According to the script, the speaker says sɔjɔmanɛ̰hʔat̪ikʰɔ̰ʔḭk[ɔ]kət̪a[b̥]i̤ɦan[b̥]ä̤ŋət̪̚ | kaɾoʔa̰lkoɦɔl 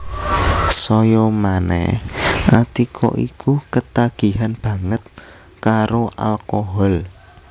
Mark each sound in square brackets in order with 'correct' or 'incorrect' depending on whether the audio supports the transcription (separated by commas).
incorrect, incorrect, correct